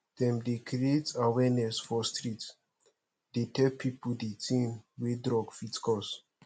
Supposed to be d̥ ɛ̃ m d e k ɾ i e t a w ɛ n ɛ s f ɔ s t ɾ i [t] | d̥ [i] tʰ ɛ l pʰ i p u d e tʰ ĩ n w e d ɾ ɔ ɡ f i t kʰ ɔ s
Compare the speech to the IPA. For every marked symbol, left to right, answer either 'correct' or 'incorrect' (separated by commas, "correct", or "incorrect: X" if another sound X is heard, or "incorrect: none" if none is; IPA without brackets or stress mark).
correct, incorrect: e